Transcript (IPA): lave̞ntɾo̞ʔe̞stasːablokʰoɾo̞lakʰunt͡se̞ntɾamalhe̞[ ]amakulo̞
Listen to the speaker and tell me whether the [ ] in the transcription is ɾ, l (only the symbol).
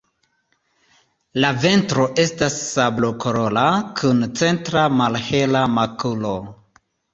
l